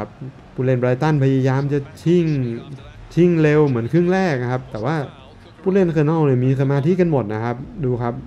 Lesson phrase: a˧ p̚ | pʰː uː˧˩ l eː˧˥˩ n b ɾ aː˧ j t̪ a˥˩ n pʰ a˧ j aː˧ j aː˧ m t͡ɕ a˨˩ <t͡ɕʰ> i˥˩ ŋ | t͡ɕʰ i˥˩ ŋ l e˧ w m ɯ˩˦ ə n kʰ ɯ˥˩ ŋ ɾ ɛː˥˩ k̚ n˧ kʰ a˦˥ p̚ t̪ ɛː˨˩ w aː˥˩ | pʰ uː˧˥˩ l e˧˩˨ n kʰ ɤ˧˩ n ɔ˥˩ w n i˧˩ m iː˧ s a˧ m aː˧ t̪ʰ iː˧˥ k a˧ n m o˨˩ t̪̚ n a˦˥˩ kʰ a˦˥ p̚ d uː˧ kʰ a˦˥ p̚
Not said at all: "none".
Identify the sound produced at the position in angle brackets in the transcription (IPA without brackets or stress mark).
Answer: t͡ɕʰ